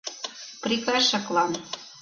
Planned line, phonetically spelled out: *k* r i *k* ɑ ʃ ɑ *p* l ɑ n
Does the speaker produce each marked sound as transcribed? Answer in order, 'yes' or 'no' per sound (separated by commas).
no, yes, no